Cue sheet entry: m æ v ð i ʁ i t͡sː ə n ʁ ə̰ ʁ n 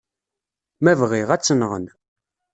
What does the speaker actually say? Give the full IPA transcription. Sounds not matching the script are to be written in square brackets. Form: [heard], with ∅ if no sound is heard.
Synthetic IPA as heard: m æ v [ʁ] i ʁ [æ] t͡sː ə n ʁ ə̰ [∅] n